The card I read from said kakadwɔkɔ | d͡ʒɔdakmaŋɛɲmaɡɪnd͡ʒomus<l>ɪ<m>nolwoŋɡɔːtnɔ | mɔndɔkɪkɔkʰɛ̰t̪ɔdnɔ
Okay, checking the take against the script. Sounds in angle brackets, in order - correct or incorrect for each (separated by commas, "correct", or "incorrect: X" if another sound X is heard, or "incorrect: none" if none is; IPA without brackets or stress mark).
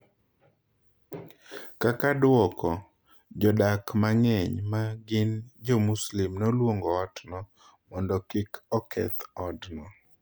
correct, correct